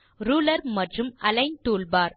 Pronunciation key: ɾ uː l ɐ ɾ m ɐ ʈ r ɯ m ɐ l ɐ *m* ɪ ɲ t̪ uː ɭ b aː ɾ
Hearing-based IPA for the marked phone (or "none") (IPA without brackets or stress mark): none